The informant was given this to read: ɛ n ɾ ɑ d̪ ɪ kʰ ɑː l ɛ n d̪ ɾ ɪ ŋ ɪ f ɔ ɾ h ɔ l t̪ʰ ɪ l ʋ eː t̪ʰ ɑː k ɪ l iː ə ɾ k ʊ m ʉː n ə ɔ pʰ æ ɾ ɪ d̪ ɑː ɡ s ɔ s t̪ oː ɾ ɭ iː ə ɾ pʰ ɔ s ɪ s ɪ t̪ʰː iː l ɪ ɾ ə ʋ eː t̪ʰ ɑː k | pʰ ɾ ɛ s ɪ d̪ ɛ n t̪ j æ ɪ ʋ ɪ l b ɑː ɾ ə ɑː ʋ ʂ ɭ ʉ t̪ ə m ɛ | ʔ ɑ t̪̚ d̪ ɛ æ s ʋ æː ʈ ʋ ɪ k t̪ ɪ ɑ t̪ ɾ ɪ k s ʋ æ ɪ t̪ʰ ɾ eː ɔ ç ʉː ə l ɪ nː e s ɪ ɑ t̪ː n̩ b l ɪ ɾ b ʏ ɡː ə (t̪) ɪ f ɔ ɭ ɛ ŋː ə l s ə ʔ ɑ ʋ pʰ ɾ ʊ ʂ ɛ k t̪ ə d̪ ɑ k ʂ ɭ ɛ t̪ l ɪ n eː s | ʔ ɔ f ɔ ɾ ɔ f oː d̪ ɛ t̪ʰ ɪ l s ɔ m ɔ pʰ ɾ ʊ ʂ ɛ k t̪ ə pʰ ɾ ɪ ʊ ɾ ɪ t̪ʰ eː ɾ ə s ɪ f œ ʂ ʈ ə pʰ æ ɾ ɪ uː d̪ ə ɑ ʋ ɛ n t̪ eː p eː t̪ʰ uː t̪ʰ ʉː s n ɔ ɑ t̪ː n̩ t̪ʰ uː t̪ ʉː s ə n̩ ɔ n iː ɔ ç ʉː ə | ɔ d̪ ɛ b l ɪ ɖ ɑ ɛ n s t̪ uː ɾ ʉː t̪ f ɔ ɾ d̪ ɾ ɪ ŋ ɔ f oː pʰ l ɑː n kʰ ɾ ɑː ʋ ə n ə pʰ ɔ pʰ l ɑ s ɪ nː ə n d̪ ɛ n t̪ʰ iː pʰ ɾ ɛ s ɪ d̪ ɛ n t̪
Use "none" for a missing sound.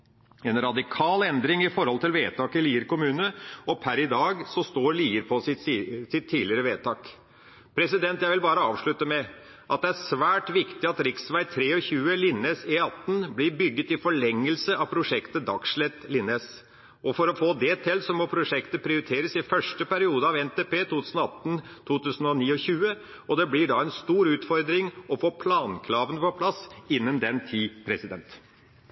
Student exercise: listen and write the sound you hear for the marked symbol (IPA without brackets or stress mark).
t̪